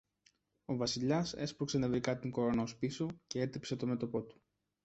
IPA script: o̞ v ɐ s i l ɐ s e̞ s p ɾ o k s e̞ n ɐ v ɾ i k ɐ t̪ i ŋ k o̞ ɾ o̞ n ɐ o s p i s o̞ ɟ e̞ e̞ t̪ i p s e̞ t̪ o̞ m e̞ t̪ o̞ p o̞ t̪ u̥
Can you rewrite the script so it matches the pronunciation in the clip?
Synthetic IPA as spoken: o̞ v ɐ s i ʎ ɐ s e̞ s p ɾ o k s e̞ n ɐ v ɾ i k ɐ t̪ i ŋ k o̞ ɾ o̞ n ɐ o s p i s o̞ c e̞ e̞ t̪ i p s e̞ t̪ o̞ m e̞ t̪ o̞ p o̞ t̪ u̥

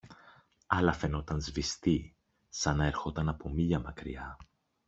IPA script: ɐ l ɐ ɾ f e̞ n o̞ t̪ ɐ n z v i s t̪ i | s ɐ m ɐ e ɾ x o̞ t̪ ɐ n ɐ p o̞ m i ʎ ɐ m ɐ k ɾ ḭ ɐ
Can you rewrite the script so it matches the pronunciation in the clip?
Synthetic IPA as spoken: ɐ l ɐ f e̞ n o̞ t̪ ɐ n z v i s t̪ i | s ɐ n ɐ e ɾ x o̞ t̪ ɐ n ɐ p o̞ m i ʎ ɐ m ɐ k ɾ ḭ ɐ

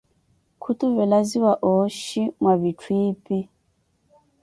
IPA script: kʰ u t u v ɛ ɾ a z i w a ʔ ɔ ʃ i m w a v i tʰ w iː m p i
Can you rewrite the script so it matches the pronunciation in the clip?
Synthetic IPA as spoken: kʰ u t u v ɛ l a z i w a ʔ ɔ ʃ i m w a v i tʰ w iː p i

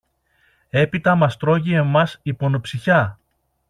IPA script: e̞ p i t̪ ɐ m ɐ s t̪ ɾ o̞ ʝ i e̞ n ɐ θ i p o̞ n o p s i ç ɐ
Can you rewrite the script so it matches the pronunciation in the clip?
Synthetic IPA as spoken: e̞ p i t̪ ɐ m ɐ s t̪ ɾ o̞ ʝ i e̞ m ɐ s i p o̞ n o p s i ç ɐ

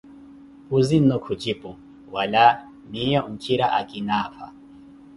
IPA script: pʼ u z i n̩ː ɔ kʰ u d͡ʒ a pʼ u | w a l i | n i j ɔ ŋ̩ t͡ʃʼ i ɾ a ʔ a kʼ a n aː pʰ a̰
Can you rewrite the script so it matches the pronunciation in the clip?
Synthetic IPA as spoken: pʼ u z i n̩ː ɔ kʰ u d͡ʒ i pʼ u | w a l a | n i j ɔ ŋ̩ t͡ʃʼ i ɾ a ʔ a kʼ i n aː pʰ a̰

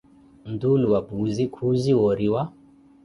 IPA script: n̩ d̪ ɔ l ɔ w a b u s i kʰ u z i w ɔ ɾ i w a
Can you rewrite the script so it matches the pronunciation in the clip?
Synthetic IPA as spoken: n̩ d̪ u l u w a b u z i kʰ u z i w ɔ ɾ i w a

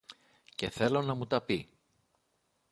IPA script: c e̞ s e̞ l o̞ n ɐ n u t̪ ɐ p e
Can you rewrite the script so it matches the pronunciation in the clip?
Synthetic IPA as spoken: c e̞ θ e̞ l o̞ n ɐ m u t̪ ɐ p i

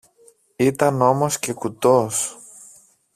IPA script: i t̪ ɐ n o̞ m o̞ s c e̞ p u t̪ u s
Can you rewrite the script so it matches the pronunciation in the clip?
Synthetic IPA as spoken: i t̪ ɐ n o̞ m o̞ s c e̞ k u t̪ o s

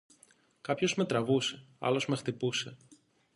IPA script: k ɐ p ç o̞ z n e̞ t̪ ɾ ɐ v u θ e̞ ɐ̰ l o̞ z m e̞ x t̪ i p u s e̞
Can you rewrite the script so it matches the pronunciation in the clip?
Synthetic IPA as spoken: k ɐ p ç o̞ z m e̞ t̪ ɾ ɐ v u s e̞ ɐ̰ l o̞ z m e̞ x t̪ i p u s e̞

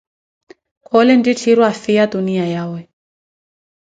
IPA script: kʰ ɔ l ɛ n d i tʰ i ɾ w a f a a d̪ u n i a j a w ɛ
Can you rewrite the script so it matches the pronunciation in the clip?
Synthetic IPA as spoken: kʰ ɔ l ɛ n d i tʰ i ɾ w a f i a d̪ u n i a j a w ɛ

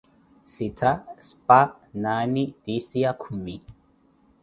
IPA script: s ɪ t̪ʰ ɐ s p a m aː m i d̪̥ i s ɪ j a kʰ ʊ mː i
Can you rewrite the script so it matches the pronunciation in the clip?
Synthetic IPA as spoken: s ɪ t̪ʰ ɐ s p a n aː n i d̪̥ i s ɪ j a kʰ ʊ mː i

